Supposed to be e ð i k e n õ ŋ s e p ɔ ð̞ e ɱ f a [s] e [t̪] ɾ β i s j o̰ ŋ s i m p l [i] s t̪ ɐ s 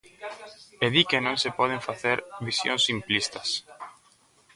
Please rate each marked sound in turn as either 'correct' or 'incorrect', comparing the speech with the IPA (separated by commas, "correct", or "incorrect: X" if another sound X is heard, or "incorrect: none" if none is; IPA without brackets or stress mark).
incorrect: θ, incorrect: none, correct